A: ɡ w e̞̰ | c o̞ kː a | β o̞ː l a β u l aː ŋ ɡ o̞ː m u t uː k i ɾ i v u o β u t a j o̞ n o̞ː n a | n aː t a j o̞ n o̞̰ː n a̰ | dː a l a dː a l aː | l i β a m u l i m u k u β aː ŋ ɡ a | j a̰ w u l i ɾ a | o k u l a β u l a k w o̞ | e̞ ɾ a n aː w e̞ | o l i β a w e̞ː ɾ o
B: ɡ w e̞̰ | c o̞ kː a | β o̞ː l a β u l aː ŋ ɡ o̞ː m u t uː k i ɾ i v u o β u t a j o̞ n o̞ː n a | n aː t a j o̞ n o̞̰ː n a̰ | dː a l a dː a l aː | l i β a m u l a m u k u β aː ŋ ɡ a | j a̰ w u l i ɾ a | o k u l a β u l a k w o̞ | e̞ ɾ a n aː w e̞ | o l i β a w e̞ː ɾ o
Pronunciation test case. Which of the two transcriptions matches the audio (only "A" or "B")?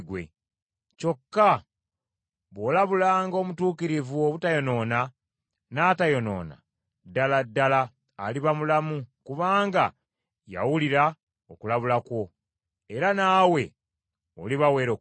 B